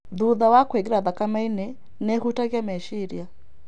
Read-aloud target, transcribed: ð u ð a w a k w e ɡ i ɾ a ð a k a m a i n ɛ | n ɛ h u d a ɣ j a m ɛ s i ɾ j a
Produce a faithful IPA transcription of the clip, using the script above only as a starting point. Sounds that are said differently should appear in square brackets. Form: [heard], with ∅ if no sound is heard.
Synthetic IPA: ð u ð a w a k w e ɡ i ɾ a ð a k a m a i n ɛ | n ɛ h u [t] a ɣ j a m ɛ [ʃ] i ɾ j a